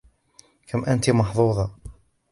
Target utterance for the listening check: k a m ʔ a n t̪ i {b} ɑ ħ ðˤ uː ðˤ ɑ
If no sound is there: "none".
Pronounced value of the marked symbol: m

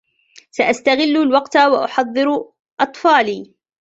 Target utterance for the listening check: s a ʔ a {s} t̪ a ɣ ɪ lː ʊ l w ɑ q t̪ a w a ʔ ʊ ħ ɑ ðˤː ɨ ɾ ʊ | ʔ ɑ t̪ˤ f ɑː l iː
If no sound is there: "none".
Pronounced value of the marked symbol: s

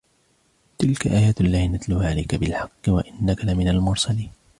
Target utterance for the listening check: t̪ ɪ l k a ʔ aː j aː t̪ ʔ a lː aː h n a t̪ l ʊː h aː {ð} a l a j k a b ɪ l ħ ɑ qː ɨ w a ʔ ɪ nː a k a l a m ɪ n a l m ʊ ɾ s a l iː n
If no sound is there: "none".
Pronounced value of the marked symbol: ʕ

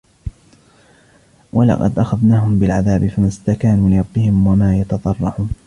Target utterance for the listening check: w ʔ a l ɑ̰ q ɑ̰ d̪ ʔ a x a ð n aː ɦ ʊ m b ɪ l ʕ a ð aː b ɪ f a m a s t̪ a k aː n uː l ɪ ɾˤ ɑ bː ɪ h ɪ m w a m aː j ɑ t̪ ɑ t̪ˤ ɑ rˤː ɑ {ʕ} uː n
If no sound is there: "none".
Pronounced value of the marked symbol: ʕ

